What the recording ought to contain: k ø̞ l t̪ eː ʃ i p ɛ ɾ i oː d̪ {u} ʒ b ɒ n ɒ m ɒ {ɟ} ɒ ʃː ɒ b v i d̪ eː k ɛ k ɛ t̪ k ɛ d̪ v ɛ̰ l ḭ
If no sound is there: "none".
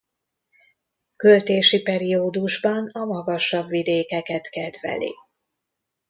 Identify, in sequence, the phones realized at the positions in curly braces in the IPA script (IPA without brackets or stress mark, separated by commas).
u, ɡ